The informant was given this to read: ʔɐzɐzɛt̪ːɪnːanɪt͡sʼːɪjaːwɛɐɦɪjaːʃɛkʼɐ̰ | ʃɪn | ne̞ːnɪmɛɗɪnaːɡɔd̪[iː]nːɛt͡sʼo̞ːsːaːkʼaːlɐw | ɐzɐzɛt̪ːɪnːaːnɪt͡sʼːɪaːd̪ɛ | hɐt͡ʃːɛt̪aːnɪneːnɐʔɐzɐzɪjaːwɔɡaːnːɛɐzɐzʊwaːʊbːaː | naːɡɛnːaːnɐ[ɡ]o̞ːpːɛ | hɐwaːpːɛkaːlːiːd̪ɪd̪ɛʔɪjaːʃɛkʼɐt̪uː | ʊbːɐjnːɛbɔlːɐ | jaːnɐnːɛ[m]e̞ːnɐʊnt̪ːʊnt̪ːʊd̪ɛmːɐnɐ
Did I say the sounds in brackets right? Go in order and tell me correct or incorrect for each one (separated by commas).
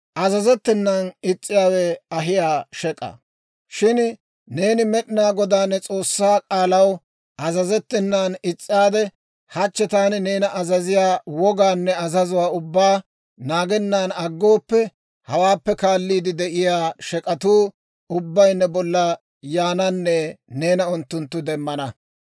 incorrect, incorrect, incorrect